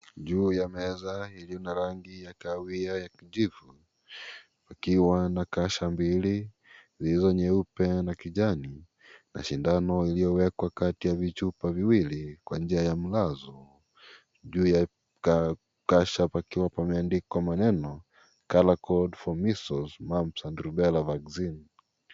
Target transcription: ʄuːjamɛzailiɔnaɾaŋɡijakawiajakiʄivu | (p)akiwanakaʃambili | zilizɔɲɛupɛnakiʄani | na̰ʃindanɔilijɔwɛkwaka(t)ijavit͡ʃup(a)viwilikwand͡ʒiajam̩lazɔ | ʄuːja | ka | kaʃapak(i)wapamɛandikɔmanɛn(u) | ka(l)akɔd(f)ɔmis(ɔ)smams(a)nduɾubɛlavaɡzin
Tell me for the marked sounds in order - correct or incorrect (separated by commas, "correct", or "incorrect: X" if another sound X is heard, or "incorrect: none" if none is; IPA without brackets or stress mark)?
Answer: correct, correct, correct, correct, incorrect: ɔ, correct, correct, correct, correct